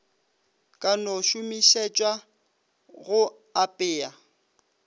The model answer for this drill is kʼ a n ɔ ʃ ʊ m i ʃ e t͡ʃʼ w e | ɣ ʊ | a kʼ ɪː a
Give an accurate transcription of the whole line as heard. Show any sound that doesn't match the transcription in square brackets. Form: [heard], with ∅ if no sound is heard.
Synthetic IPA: kʼ a n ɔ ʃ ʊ m i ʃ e t͡ʃʼ w [a] | ɣ ʊ | a [pʼ] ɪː a